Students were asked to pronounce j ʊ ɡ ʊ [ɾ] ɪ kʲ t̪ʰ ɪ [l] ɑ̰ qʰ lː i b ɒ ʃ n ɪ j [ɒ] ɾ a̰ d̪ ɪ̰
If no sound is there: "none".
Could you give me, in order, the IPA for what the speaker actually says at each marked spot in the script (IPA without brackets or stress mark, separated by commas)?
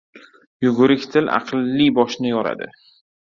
ɾ, l, ɒ